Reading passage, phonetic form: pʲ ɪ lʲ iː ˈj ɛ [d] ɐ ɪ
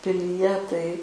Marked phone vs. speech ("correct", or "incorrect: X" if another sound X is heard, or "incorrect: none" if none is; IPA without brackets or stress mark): incorrect: t